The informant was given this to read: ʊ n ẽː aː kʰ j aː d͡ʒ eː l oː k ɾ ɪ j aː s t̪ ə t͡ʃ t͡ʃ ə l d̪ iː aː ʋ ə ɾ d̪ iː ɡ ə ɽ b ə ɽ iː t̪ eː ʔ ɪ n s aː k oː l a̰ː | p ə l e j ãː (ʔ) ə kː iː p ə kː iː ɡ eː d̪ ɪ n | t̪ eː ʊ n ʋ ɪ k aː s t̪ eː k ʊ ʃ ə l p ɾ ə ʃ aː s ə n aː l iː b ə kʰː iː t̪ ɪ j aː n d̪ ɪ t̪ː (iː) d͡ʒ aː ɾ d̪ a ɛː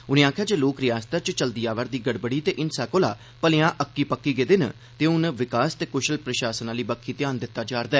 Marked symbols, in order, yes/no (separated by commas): yes, no